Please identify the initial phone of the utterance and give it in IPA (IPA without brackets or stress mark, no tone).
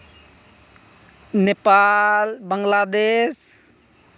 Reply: n